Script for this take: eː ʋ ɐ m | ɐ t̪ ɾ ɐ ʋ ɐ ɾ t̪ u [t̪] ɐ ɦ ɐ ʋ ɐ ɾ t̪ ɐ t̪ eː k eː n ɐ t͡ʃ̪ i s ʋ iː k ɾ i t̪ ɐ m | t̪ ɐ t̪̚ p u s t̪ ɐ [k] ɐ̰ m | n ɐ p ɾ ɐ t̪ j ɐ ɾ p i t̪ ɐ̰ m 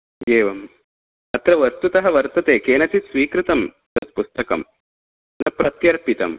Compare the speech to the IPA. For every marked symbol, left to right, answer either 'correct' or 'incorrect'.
correct, correct

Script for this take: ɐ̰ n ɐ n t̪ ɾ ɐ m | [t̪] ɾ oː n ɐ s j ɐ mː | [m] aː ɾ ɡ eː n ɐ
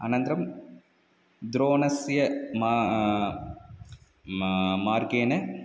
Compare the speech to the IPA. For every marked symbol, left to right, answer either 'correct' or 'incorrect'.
incorrect: d̪, correct

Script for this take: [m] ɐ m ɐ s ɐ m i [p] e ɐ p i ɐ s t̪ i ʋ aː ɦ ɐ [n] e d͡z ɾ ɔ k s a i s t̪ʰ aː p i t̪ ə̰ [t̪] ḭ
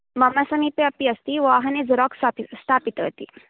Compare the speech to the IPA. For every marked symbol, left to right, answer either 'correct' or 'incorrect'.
correct, correct, correct, correct

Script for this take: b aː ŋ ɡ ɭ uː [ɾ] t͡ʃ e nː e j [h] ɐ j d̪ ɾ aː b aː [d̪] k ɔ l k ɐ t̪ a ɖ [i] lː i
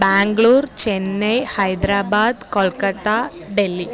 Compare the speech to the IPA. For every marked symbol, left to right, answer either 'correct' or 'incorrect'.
correct, correct, correct, incorrect: e

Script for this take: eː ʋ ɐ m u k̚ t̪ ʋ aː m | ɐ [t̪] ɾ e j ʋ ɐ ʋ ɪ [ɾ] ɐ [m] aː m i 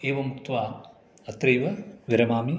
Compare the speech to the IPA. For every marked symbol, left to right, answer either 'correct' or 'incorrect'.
correct, correct, correct

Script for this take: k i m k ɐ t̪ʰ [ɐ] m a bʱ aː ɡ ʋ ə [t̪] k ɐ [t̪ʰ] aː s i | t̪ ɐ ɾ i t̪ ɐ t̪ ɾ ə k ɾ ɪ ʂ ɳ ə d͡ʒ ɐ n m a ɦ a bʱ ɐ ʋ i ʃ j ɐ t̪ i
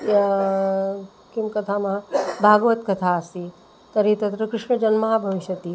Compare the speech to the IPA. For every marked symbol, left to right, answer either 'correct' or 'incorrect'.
incorrect: a, correct, correct

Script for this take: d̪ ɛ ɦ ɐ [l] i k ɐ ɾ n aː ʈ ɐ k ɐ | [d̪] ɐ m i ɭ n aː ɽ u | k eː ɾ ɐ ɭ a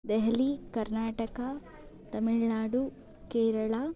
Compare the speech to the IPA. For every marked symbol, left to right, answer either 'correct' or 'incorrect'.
correct, incorrect: t̪

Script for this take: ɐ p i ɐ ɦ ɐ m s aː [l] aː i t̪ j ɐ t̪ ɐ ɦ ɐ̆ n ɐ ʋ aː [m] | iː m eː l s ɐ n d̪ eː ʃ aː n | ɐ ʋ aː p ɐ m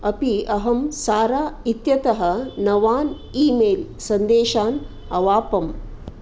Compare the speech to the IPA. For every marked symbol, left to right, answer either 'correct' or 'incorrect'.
incorrect: ɾ, incorrect: n

